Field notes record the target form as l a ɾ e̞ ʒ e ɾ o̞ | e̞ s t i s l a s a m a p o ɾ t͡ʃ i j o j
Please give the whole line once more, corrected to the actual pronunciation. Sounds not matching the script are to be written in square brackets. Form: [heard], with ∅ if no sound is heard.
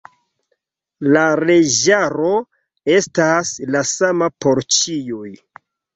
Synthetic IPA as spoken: l a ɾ e̞ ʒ [a] ɾ o̞ | e̞ s t [a] s l a s a m a p o ɾ t͡ʃ i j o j